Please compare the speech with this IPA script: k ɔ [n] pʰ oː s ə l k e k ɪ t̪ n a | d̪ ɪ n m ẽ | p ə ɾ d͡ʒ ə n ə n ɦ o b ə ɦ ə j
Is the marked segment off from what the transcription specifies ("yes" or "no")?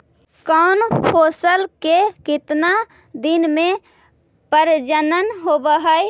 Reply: no